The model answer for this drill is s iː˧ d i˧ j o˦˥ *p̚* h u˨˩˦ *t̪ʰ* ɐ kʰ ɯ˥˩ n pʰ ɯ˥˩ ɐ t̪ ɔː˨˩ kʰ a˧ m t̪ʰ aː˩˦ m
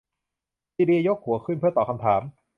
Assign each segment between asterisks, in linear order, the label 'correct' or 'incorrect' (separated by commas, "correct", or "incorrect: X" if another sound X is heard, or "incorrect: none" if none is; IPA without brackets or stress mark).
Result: incorrect: k̚, incorrect: none